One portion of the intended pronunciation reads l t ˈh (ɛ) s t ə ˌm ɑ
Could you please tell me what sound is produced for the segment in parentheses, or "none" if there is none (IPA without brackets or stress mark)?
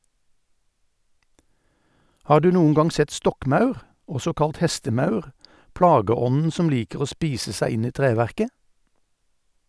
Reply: ɛ